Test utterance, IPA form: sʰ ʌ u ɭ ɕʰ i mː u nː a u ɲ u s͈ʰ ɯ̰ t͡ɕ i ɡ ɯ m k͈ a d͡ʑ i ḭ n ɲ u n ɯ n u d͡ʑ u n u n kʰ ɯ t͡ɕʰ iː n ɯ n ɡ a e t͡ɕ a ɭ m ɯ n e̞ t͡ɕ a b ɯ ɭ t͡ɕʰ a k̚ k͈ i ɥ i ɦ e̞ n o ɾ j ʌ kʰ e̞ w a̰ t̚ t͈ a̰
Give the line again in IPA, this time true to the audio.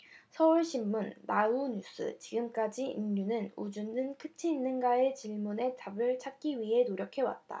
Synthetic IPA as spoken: sʰ ʌ u ɭ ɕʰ i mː u nː a u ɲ u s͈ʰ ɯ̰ t͡ɕ i ɡ ɯ m k͈ a d͡ʑ i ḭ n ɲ u n ɯ n u d͡ʑ u n ɯ n kʰ ɯ t͡ɕʰ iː nː ɯ n ɡ a e t͡ɕ i ɭ m u n e̞ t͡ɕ a b ɯ ɭ t͡ɕʰ a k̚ k͈ i ɥ i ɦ e̞ n o ɾ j ʌ kʰ e̞ w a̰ t̚ t͈ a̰